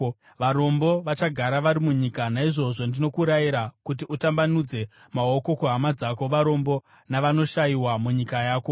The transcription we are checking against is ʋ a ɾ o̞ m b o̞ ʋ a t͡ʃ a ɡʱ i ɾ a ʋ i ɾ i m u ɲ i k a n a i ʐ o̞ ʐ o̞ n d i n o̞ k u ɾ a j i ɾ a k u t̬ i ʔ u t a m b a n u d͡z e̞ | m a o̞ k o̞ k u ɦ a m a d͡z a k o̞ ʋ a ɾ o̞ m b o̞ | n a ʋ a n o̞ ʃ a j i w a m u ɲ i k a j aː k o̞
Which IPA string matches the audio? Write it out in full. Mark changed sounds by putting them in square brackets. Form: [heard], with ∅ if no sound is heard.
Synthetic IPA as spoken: ʋ a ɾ o̞ m b o̞ ʋ a t͡ʃ a ɡʱ [a] ɾ a ʋ [a] ɾ i m u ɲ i k a n a i ʐ o̞ ʐ o̞ n d i n o̞ k u ɾ a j i ɾ a k u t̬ i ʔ u t a m b a n u d͡z e̞ | m a o̞ k o̞ k u ɦ a m a d͡z a k o̞ ʋ a ɾ o̞ m b o̞ | n a ʋ a n o̞ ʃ a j i w a m u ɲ i k a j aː k o̞